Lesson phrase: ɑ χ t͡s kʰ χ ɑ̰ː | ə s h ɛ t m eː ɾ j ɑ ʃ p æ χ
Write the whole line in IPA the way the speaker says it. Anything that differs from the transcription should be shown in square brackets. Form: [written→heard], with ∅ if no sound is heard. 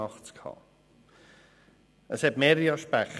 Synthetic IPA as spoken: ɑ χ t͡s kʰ [χ→h] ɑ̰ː | ə s h ɛ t m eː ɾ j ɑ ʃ p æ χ

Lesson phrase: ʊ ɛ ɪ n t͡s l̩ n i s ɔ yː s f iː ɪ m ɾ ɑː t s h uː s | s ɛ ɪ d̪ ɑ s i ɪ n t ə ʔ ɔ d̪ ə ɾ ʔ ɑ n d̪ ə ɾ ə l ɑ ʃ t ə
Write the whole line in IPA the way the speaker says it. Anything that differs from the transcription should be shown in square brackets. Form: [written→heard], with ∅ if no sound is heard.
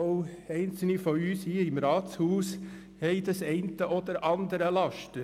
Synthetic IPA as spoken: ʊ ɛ ɪ n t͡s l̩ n i [s→f] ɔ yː s [f→h] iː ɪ m ɾ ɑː t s h uː s | [s→h] ɛ ɪ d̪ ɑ s [i→ɛ] ɪ n t ə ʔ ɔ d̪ ə ɾ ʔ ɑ n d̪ ə ɾ ə l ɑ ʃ t ə

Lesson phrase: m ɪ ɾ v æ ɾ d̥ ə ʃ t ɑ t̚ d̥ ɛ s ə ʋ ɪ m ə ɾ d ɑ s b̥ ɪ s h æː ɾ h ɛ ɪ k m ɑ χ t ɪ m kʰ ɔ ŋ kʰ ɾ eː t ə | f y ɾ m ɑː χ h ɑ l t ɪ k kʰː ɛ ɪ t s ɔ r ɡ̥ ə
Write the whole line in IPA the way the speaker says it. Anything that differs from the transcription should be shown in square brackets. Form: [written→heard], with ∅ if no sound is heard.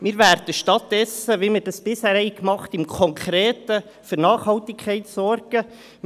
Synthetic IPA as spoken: m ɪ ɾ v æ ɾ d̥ ə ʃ t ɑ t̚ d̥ ɛ s ə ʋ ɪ m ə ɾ d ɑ s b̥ ɪ s h æː ɾ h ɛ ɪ k m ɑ χ t ɪ m kʰ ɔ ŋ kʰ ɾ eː t ə | f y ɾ [m→n] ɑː χ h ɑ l t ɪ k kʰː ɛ ɪ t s ɔ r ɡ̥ ə

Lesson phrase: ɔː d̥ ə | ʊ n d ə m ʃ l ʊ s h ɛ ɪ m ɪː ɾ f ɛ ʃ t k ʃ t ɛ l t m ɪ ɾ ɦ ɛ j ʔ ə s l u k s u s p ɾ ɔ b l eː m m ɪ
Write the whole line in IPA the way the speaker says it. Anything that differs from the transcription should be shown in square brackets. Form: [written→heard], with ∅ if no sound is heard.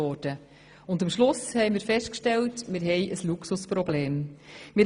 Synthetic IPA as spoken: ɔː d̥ ə | ʊ n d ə m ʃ l ʊ s h ɛ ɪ m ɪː ɾ f ɛ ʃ t k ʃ t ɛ l t m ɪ ɾ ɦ ɛ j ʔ ə s l u k s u s p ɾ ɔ b l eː m m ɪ

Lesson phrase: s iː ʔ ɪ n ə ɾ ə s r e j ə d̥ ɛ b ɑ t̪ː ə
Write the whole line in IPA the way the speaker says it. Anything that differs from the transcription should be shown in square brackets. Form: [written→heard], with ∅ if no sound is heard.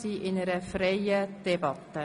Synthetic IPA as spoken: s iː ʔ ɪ n ə ɾ ə [s→f] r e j ə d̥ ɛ b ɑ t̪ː ə

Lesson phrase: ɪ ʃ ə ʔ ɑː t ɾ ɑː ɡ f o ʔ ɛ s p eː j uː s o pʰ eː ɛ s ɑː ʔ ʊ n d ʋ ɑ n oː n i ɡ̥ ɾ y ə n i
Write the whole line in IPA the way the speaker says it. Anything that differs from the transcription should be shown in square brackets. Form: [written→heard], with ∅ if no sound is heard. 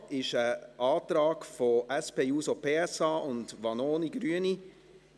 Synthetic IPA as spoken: ɪ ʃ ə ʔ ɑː t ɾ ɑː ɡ f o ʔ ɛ s p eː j uː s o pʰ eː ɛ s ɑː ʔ ʊ n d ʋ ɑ n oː n i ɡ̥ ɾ y ə n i

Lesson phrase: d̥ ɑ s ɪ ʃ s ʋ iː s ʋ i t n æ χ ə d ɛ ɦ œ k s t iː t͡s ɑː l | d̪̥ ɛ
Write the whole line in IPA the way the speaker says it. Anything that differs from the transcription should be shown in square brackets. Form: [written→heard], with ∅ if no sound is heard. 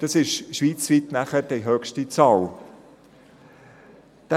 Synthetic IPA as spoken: d̥ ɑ s ɪ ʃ [s→ʃ] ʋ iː [s→t͡s] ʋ i t n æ χ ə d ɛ ɦ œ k [s→ʃ] t [iː→i] t͡s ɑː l | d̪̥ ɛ

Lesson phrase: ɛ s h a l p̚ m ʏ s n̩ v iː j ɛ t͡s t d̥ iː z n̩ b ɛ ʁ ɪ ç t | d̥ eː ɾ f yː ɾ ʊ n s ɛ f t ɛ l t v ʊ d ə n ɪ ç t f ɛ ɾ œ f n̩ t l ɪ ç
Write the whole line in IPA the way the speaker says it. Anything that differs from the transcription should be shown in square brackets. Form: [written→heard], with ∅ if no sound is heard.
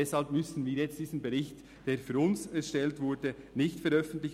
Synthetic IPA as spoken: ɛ s h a l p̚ m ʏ s n̩ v iː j ɛ t͡s t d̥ iː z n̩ b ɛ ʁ ɪ ç t | d̥ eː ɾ f yː ɾ ʊ n s ɛ [f→ʃ] t ɛ l t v ʊ d ə n ɪ ç t f ɛ ɾ œ f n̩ t l ɪ ç

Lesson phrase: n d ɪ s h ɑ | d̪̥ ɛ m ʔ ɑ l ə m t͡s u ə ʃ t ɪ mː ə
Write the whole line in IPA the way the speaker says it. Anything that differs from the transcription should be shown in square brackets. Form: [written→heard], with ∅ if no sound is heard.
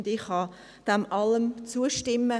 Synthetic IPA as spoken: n d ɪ [s→χ] h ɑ | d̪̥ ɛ m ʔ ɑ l ə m t͡s u ə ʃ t ɪ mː ə

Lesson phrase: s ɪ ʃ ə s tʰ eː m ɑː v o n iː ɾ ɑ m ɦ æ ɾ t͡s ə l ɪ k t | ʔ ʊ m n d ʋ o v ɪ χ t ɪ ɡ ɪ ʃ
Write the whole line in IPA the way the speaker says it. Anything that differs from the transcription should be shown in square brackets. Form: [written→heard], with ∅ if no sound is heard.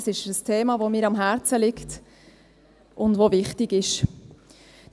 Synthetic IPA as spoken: s ɪ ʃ ə s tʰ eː m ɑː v o [n→m] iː ɾ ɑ m ɦ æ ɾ t͡s ə l ɪ k t | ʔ ʊ [m→∅] n d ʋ o v ɪ χ t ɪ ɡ ɪ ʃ

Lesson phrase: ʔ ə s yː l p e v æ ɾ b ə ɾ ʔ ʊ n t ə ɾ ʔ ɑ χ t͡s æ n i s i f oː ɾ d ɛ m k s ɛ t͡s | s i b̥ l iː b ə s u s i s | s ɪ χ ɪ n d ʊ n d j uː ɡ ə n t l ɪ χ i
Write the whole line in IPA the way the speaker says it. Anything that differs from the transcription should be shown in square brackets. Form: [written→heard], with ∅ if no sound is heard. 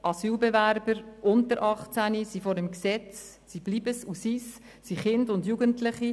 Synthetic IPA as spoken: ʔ [ə→ɑ] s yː l [p→b] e v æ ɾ b ə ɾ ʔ ʊ n t ə ɾ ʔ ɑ χ t͡s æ n i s i f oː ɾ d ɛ m k s ɛ t͡s | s i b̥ l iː b ə s u s i s | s [ɪ→i] χ ɪ n d ʊ n d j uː ɡ ə n t l ɪ χ i

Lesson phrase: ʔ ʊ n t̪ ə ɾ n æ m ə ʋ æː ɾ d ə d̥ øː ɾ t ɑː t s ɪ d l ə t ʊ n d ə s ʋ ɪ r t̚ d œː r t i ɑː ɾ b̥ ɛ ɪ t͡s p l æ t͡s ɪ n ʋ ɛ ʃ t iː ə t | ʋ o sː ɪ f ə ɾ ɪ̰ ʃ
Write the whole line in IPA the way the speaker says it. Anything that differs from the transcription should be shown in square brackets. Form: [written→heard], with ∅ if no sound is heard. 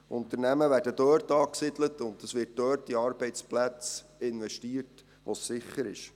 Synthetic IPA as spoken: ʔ ʊ n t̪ ə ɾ n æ m ə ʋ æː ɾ d ə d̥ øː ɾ t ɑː [t→k] s ɪ d l ə t ʊ n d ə s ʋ ɪ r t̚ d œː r t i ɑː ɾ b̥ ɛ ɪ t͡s p l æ t͡s ɪ n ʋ ɛ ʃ t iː ə t | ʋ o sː ɪ [f→χ] ə ɾ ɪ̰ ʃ

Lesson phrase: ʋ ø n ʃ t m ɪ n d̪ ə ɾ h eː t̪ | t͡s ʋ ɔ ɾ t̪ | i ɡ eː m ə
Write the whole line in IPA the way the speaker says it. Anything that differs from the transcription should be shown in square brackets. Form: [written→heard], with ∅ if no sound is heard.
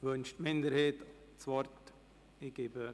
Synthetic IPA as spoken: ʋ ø n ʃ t m ɪ n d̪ ə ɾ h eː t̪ | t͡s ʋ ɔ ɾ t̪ | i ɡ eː [m→b] ə

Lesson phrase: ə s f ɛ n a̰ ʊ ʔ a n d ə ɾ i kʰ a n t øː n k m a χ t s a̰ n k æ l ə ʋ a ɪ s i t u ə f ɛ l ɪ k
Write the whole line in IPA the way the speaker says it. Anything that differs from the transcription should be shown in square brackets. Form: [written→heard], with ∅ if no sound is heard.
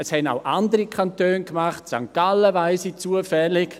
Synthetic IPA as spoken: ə s [f→h] ɛ n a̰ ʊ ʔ a n d ə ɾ i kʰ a n t øː n k m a χ t s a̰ [n→ŋ] k [æ→a] l ə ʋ a ɪ s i [t→t͡s] u ə f ɛ l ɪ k

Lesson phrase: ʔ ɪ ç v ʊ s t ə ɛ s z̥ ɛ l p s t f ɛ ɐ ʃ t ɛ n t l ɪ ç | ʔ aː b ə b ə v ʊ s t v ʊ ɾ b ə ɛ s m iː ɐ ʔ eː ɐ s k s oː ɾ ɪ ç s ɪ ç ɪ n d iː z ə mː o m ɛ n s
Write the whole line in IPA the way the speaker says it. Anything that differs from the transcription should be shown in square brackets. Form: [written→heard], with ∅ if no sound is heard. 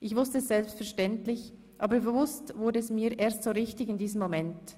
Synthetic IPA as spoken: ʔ ɪ ç v ʊ s t ə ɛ s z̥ ɛ l p s t f ɛ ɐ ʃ t ɛ n t l ɪ ç | ʔ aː b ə b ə v ʊ s t v ʊ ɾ [b→d] ə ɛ s m iː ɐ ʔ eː ɐ s [k→t] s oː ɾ ɪ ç [s→t] ɪ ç ɪ n d iː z ə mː o m ɛ n [s→t]

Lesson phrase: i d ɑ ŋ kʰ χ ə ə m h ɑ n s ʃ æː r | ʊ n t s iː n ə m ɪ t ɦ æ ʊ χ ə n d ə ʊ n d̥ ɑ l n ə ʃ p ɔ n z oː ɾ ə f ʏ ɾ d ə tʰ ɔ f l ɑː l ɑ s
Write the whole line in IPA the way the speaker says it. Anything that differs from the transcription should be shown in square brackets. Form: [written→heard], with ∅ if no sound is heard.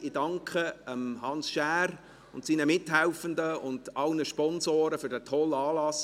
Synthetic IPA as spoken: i d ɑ ŋ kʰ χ ə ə m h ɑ n s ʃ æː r | ʊ n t s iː n ə m ɪ t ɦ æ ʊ [χ→f] ə n d ə ʊ n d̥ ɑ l n ə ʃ p ɔ n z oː ɾ ə f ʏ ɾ d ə tʰ ɔ [f→∅] l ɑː l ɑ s

